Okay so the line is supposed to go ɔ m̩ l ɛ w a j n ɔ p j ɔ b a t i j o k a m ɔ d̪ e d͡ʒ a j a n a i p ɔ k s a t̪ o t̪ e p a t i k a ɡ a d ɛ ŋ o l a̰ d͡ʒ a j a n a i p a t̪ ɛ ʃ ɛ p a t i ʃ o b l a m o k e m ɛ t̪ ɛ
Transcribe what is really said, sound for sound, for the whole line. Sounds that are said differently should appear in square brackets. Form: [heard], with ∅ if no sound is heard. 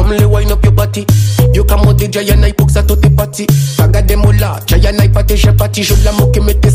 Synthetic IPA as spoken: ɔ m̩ l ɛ w a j n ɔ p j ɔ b a t i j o k a m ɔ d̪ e d͡ʒ a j a n a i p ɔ k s a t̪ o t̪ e p a t i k a ɡ a d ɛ [m] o l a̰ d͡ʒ a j a n a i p a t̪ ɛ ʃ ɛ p a t i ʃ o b l a m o k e m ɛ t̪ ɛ